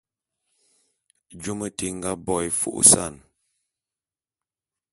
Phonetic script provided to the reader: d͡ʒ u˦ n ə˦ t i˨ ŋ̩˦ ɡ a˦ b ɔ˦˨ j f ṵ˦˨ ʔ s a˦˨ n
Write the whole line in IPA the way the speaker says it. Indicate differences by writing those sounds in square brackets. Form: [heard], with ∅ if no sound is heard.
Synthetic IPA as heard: d͡ʒ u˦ [m] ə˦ t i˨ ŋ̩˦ ɡ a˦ b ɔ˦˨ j f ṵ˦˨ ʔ s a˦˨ n

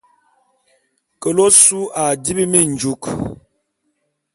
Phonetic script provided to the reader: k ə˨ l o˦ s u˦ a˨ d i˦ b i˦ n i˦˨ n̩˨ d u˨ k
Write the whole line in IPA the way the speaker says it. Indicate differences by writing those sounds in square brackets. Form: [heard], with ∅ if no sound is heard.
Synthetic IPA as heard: k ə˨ l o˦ s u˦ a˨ d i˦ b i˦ [m] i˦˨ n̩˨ [d͡ʒ] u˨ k

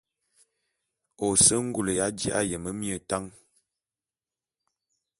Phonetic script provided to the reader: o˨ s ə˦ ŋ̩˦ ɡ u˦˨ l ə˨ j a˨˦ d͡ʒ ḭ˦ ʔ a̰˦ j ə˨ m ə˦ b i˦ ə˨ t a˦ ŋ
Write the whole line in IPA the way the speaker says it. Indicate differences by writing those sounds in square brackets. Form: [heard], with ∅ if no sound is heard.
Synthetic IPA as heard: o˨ s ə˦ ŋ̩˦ ɡ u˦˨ l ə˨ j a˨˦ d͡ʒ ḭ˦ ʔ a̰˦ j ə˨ m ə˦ [m] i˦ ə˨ t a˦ ŋ

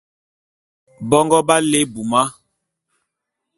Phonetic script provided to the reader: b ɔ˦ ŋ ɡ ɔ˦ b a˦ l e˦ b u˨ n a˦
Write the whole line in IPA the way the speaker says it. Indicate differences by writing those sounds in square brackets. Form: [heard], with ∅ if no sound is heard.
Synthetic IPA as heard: b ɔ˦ ŋ ɡ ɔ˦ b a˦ l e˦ b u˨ [m] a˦

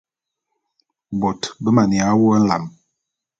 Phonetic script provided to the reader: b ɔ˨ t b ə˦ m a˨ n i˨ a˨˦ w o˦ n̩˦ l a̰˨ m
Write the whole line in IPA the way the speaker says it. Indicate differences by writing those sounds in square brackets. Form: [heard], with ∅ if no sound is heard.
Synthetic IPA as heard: b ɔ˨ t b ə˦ m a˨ n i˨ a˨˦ w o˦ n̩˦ l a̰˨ m

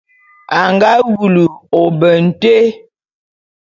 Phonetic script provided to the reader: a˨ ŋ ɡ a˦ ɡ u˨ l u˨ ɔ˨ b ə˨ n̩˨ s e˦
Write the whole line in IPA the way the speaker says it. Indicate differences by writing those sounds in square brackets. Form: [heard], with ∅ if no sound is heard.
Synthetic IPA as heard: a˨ ŋ ɡ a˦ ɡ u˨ l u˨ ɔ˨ b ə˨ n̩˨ [t] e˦

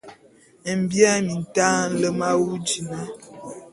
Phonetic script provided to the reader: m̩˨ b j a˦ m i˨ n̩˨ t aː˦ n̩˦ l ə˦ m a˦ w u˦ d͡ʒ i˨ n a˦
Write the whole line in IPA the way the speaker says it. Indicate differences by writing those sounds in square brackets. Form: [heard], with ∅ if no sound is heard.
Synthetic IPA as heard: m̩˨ b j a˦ m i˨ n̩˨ t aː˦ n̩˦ l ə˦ m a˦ w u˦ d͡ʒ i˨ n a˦

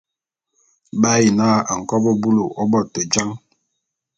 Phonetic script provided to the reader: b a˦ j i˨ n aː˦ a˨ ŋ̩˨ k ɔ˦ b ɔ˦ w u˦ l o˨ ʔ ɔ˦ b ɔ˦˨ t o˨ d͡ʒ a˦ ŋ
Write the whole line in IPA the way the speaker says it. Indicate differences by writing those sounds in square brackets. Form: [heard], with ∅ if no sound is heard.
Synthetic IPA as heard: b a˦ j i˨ n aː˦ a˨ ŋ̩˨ k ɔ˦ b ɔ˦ [b] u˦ l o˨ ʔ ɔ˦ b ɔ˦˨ t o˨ d͡ʒ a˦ ŋ

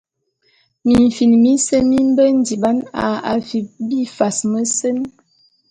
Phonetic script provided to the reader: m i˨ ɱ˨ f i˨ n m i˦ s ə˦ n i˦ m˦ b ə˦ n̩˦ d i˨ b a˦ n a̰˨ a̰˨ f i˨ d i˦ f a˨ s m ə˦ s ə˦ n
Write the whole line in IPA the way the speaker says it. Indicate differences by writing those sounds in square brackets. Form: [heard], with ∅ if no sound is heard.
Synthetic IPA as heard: m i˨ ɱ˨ f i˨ n m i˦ s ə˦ [m] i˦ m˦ b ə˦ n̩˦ d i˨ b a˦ n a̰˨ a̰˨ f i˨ [b] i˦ f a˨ s m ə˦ s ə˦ n

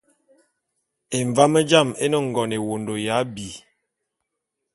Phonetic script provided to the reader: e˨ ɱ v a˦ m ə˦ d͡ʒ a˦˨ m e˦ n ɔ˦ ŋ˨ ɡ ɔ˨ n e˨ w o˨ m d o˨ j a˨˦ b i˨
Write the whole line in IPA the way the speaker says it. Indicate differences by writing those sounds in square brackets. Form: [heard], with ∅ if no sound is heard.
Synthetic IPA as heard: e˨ ɱ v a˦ m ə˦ d͡ʒ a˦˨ m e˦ n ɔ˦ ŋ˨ ɡ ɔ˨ n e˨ w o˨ [n] d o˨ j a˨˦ b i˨

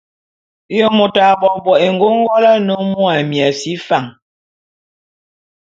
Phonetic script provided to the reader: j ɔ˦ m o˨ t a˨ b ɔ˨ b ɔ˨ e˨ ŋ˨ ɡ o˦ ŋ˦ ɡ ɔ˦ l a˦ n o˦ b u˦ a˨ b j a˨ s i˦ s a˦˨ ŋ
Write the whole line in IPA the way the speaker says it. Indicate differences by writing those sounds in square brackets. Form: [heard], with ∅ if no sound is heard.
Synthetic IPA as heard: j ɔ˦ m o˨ t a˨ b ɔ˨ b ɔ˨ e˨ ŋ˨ ɡ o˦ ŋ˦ ɡ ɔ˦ l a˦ n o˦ [m] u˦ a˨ [m] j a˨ s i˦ [f] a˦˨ ŋ

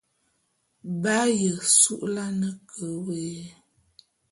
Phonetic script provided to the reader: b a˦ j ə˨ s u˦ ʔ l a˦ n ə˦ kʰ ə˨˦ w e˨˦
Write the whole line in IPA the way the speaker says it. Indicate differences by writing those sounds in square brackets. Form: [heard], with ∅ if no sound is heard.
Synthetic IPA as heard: b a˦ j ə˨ s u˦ ʔ l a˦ n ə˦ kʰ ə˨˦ w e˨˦

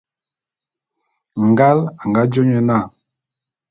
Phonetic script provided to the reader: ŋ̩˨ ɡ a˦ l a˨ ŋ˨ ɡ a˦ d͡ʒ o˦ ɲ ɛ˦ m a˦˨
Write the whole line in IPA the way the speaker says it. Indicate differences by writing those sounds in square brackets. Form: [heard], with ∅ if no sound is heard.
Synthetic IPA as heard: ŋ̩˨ ɡ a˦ l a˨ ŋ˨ ɡ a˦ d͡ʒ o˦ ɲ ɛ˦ [n] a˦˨

